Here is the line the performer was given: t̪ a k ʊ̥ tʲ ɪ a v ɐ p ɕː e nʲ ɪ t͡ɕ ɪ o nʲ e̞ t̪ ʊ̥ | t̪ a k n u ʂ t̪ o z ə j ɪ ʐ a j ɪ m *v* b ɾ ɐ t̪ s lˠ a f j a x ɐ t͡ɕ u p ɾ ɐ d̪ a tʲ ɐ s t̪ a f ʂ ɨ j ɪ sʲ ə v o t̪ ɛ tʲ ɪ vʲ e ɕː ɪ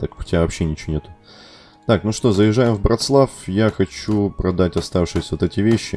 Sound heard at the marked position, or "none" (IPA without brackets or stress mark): v